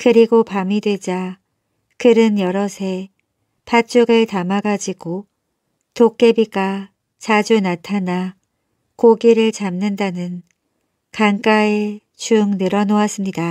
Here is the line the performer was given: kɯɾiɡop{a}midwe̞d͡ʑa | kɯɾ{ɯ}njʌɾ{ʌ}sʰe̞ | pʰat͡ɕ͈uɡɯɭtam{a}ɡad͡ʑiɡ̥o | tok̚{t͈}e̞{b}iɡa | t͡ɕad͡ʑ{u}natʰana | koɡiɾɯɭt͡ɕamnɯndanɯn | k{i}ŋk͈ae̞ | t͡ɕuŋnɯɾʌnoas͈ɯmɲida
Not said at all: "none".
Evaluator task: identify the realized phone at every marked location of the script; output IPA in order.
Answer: a, ɯ, ʌ, a, k͈, b, u, a

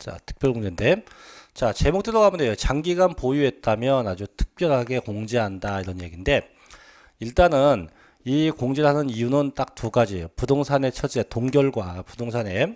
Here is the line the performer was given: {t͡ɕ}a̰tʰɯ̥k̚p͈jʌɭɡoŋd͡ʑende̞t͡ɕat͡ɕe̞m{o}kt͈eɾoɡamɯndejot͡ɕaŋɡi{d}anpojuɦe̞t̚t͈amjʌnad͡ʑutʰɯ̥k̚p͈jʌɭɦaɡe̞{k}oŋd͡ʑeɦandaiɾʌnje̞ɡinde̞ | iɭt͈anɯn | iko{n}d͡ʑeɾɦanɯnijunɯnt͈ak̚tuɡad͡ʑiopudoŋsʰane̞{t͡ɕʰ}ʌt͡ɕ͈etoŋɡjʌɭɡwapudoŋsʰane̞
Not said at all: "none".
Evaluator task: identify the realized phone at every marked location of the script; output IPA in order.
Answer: t͡ɕ, o, ɡ, k, ŋ, t͡ɕʰ

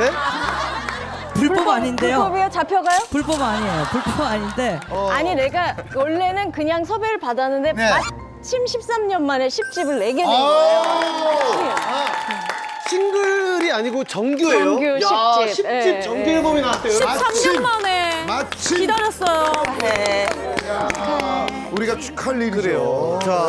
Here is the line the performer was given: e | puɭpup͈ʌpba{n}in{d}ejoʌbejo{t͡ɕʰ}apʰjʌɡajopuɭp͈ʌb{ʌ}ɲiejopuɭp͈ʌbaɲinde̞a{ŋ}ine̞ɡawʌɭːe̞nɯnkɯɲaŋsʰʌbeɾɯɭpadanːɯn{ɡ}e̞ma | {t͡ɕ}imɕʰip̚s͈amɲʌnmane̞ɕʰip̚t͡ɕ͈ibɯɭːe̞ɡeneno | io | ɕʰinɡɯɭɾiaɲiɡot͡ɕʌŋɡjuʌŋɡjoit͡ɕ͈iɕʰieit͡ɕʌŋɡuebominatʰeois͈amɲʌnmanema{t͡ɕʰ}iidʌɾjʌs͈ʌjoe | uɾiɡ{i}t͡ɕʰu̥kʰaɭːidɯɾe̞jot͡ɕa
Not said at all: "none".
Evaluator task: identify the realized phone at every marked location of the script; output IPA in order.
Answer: ɲ, d, t͡ɕ, a, ɲ, d, t͡ɕʰ, t͡ɕʰ, a

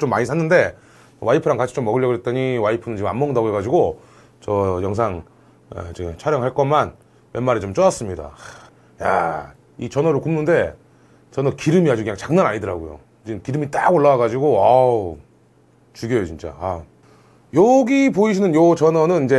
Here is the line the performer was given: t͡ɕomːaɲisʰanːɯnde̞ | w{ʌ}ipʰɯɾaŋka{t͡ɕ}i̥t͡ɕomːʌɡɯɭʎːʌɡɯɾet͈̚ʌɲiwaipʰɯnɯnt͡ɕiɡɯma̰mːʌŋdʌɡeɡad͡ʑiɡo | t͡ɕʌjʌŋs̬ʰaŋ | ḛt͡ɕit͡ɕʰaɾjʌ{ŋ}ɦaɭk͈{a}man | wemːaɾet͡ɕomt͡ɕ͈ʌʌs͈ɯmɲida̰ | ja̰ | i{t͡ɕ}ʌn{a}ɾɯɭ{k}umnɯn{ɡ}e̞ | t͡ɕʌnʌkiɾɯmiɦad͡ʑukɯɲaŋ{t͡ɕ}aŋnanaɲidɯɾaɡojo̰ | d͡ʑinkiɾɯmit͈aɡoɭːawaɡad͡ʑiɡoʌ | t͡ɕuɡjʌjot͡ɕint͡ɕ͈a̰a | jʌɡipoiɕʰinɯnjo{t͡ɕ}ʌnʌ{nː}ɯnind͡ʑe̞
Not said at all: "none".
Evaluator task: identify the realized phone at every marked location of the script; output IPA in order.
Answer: a, t͡ɕʰ, ŋ, ʌ, t͡ɕ, ʌ, k, d, t͡ɕ, t͡ɕ, n

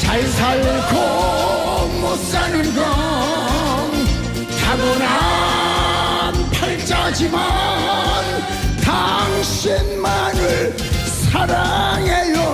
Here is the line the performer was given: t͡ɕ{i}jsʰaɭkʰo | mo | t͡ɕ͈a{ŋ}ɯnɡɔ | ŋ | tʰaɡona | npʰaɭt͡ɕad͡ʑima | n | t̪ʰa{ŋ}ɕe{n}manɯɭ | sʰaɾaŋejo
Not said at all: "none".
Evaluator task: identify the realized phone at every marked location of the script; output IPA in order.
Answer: a, n, ŋ, n

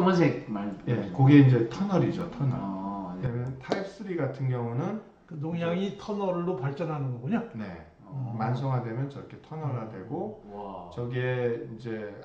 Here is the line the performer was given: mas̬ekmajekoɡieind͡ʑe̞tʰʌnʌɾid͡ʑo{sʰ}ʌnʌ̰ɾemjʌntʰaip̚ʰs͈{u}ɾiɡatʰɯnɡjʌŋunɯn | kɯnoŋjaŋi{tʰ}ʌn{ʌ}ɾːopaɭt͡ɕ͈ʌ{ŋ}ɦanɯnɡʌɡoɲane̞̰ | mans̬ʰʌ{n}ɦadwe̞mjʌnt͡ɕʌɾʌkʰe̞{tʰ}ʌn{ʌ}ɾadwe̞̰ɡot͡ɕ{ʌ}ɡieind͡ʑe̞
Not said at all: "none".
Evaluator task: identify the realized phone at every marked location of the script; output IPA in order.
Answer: tʰ, ɯ, tʰ, ʌ, n, ŋ, tʰ, ʌ, ʌ

